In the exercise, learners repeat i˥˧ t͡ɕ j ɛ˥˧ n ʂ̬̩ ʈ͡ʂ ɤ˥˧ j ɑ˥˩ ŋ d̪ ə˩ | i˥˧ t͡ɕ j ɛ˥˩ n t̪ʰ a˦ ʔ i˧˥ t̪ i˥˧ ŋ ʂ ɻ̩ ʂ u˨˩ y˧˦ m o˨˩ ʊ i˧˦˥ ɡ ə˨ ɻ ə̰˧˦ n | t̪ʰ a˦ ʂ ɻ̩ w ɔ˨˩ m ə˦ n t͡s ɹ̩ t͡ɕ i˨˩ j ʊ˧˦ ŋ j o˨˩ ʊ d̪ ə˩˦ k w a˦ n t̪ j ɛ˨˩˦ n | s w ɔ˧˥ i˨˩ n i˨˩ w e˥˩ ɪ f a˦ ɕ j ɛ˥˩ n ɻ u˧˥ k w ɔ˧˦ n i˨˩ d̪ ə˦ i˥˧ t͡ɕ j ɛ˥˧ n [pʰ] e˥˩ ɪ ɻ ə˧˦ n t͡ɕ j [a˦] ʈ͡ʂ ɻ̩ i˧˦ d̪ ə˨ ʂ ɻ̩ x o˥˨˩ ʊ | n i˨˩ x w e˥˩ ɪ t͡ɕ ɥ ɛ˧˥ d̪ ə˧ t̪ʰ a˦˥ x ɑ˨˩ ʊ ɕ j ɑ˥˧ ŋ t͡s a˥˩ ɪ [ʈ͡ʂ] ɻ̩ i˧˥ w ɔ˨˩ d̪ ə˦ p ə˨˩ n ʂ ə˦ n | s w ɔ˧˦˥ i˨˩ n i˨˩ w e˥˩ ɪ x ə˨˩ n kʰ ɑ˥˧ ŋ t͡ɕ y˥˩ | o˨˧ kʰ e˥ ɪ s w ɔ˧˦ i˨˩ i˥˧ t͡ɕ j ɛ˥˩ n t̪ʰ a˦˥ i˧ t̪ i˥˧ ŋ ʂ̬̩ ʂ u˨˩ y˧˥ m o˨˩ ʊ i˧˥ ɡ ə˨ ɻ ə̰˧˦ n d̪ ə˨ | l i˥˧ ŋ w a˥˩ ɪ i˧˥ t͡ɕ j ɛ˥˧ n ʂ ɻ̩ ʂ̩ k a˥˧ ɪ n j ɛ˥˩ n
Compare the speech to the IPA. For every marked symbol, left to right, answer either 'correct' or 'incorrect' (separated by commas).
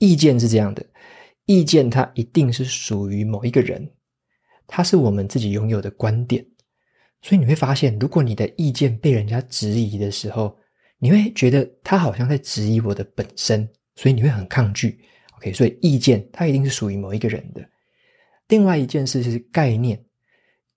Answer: incorrect, correct, correct